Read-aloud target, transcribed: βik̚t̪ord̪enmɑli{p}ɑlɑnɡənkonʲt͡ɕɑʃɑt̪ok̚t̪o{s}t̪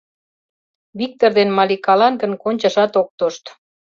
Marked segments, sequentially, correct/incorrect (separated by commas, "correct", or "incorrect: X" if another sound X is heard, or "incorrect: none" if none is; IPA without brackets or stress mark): incorrect: k, incorrect: ʃ